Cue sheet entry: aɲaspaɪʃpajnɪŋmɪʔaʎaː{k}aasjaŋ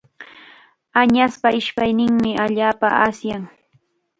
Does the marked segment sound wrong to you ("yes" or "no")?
yes